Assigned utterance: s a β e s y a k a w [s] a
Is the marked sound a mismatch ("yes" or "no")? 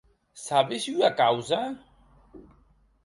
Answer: yes